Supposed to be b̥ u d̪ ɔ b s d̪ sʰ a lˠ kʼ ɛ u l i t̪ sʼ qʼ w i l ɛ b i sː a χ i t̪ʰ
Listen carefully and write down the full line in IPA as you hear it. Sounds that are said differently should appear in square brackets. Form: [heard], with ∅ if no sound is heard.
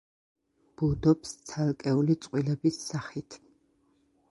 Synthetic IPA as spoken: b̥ u d̪ ɔ [p] s [t̪] sʰ a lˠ kʼ ɛ u l i t̪ sʼ qʼ w i l ɛ b i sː a χ i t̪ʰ